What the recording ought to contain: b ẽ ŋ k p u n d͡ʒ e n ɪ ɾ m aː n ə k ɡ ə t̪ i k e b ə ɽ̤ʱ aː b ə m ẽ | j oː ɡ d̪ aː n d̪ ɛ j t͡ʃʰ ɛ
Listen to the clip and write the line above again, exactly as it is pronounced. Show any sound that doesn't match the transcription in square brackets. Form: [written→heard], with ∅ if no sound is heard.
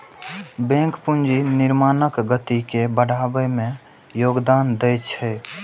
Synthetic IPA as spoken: b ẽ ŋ k p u n d͡ʒ [e→i] n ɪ ɾ m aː n ə k ɡ ə t̪ i k e b ə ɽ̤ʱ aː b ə m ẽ | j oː ɡ d̪ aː n d̪ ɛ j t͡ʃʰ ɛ